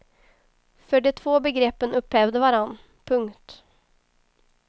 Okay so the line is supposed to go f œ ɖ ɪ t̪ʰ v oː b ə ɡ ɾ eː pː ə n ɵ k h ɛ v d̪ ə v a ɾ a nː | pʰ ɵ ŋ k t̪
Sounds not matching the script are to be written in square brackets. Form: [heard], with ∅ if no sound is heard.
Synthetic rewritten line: f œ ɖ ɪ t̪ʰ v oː b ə ɡ ɾ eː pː ə n ɵ [p] h ɛ v d̪ ə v a ɾ a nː | pʰ ɵ ŋ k t̪